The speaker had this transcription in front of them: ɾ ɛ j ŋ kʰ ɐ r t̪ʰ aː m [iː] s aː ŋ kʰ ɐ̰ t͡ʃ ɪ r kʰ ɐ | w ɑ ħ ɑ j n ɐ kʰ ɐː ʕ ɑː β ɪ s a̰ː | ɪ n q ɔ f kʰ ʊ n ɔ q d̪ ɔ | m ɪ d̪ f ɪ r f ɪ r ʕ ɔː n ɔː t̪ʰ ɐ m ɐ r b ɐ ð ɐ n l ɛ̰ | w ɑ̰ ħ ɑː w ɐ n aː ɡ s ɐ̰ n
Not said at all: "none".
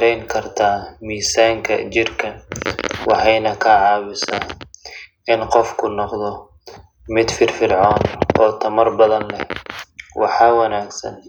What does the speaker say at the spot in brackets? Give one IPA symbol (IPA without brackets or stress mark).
iː